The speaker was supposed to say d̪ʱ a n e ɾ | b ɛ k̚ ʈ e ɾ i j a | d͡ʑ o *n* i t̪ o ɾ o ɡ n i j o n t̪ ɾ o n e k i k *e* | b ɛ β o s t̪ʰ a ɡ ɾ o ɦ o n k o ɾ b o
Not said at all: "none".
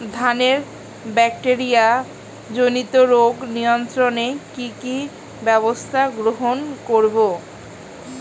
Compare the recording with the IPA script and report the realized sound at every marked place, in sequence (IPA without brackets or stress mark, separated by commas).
n, i